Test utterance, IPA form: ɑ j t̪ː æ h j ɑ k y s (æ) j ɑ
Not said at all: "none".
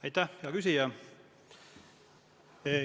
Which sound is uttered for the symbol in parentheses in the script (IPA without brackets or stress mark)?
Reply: i